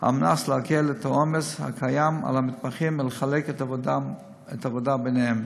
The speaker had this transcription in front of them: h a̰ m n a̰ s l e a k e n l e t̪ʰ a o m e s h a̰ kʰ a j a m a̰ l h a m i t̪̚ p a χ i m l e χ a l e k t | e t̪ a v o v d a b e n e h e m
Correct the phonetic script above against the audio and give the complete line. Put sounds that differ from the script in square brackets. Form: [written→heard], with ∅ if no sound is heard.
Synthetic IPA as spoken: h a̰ m n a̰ s l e a k e [n→∅] l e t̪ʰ a o m e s h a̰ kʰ a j a m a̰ l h a m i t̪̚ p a χ i m l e χ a l e k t | e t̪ a v o [v→∅] d a b e n e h e m